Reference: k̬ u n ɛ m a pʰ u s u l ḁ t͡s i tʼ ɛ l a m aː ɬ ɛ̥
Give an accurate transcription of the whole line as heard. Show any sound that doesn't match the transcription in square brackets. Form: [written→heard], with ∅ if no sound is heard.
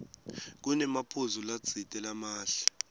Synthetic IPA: k̬ u n ɛ m a pʰ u [s→z] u l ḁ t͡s i tʼ ɛ l a m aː ɬ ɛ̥